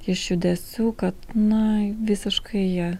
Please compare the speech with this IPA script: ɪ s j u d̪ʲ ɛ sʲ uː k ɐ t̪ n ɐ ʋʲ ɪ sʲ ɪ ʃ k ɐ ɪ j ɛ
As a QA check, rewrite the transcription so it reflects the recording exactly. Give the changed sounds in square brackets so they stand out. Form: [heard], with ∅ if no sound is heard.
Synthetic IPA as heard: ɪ [ʃ] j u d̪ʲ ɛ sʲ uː k ɐ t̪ n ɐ ʋʲ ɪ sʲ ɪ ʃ k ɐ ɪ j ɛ

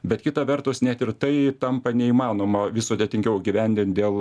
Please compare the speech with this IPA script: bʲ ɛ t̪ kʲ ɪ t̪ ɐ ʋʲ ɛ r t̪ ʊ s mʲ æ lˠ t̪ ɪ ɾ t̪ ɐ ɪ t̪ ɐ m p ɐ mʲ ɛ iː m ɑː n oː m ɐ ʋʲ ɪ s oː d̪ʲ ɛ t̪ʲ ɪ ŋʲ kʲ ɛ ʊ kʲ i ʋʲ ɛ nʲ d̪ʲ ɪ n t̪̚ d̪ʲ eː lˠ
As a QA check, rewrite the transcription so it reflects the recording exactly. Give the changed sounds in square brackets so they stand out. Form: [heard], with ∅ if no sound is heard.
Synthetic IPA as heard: bʲ ɛ t̪ kʲ ɪ t̪ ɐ ʋʲ ɛ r t̪ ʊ s [nʲ] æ [∅] t̪ ɪ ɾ t̪ ɐ ɪ t̪ ɐ m p ɐ [nʲ] ɛ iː m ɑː n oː m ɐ ʋʲ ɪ s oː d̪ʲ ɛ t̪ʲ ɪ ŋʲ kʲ ɛ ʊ [ɡʲ] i ʋʲ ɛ nʲ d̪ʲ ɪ n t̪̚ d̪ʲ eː lˠ

